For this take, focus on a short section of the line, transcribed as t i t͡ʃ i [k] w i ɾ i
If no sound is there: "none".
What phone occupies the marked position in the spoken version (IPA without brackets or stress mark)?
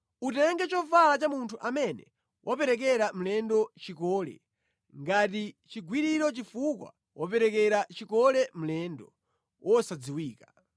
ɡ